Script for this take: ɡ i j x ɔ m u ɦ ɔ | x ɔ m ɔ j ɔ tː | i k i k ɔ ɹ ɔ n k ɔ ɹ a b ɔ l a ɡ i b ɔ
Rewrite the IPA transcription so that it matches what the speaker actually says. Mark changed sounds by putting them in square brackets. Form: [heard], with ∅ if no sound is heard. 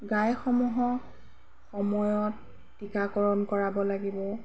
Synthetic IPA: ɡ [a] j x ɔ m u ɦ ɔ | x ɔ m ɔ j ɔ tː | i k [a] k ɔ ɹ ɔ n k ɔ ɹ a b ɔ l a ɡ i b ɔ